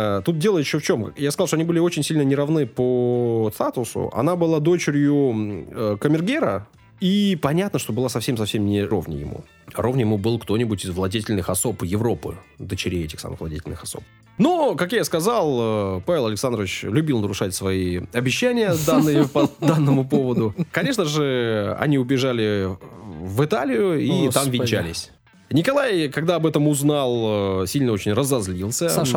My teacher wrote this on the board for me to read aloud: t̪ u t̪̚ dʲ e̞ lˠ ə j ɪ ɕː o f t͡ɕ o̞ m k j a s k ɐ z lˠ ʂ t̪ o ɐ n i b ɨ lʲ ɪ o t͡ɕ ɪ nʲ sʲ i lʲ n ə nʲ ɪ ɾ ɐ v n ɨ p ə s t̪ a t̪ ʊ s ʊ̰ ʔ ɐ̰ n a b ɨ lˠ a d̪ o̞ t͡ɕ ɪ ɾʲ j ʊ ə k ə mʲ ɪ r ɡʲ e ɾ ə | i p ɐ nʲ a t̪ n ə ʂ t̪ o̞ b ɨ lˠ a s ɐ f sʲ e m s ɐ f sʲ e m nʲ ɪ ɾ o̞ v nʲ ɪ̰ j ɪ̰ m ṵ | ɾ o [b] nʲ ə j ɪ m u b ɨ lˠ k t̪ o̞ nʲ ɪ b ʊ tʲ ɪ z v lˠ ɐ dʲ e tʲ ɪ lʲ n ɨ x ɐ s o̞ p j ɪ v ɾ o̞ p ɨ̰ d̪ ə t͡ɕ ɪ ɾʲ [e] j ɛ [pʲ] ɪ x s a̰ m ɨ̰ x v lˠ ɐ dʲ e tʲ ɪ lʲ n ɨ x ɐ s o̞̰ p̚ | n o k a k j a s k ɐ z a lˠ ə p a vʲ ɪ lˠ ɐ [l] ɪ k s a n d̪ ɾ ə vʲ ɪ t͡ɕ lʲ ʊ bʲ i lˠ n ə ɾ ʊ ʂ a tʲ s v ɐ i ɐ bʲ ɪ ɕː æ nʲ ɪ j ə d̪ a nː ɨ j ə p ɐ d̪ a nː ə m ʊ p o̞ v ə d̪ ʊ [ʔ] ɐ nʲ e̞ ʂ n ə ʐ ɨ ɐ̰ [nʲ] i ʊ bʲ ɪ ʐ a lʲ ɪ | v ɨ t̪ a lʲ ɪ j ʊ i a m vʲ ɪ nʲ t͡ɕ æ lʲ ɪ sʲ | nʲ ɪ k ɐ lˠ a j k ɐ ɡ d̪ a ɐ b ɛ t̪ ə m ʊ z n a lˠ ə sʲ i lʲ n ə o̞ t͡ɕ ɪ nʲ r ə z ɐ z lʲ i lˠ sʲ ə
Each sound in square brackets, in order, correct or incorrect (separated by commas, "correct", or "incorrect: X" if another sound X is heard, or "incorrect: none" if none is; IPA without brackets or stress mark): incorrect: v, correct, incorrect: tʲ, correct, incorrect: k, correct